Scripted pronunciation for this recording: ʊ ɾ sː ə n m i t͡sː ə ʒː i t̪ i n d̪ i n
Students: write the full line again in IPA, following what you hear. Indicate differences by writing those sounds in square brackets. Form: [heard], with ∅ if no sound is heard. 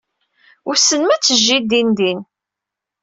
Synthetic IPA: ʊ ɾ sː ə n m [æ] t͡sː ə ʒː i [d̪] i n d̪ i n